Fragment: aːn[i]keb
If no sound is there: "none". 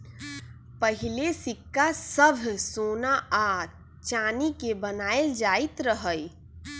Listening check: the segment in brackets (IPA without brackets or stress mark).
i